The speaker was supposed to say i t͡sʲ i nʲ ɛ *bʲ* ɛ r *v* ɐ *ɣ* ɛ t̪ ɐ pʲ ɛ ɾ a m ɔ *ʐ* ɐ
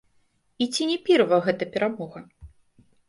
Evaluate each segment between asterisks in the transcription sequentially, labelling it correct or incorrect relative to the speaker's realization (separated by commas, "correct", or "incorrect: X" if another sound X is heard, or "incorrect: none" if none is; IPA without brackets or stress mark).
incorrect: pʲ, correct, correct, incorrect: ɣ